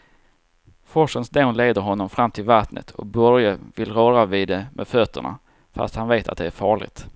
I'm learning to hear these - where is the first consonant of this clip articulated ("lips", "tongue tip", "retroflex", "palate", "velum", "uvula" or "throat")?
lips